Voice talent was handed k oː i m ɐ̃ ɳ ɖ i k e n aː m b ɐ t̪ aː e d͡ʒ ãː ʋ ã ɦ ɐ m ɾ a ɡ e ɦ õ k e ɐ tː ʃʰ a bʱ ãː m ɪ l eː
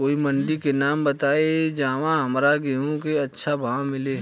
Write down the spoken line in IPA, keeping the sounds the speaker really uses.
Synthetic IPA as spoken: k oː i m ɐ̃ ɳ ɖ i k e n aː m b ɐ t̪ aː e d͡ʒ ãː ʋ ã ɦ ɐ m ɾ a ɡ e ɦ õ k e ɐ tː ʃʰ a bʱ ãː m ɪ l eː